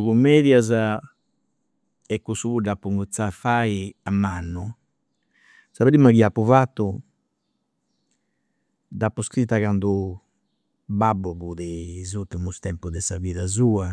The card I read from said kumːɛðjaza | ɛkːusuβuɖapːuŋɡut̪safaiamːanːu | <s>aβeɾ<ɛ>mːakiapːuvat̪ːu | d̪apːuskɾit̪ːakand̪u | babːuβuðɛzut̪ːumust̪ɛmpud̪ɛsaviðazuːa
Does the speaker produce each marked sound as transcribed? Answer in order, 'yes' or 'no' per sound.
yes, no

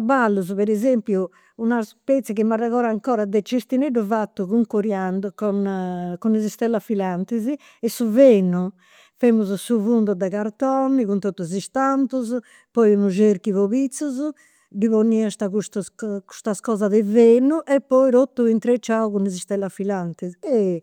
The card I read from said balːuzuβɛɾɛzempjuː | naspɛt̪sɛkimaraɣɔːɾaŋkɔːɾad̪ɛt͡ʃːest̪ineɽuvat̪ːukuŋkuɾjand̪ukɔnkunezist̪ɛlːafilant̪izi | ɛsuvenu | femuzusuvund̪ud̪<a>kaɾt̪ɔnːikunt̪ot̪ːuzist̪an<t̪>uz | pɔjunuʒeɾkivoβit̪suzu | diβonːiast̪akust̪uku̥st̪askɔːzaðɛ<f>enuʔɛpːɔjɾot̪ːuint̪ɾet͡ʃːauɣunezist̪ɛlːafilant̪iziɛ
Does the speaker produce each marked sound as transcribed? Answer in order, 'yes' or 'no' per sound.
no, yes, no

